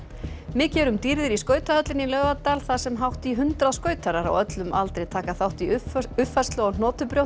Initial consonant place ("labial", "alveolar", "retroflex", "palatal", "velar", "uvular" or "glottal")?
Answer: labial